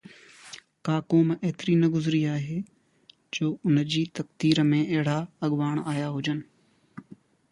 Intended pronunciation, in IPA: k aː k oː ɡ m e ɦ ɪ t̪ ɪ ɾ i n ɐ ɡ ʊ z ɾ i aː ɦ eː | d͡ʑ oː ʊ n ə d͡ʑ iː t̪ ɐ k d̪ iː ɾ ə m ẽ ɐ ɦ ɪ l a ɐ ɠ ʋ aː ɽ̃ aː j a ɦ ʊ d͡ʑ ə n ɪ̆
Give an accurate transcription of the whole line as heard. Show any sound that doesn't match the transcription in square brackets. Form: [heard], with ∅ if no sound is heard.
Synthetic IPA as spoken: k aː k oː [∅] m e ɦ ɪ t̪ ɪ ɾ i n ɐ ɡ ʊ z ɾ i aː ɦ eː | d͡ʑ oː ʊ n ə d͡ʑ iː t̪ ɐ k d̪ iː ɾ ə m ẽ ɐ ɦ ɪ [ɽ] a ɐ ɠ ʋ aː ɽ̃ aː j a ɦ ʊ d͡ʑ ə n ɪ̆